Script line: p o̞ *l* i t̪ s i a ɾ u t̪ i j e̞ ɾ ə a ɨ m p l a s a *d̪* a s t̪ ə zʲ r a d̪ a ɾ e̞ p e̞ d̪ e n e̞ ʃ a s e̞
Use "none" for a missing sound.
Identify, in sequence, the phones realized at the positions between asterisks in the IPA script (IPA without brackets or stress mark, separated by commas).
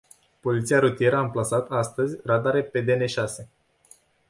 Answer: l, t̪